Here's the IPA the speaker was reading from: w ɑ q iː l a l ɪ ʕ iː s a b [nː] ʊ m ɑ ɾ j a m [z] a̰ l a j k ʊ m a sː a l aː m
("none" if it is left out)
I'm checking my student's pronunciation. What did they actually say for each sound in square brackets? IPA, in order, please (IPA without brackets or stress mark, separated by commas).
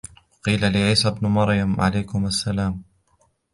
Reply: n, ʕ